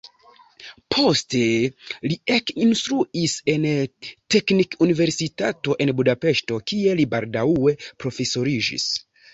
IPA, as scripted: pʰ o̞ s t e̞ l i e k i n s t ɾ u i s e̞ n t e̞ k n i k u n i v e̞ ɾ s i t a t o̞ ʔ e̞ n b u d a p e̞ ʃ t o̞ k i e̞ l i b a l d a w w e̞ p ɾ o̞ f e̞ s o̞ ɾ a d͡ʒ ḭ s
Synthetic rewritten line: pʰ o̞ s t e̞ l i e k i n s t ɾ u i s e̞ n t e̞ k n i k u n i v e̞ ɾ s i t a t o̞ ʔ e̞ n b u d a p e̞ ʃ t o̞ k i e̞ l i b a l d a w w e̞ p ɾ o̞ f e̞ s o̞ ɾ i d͡ʒ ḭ s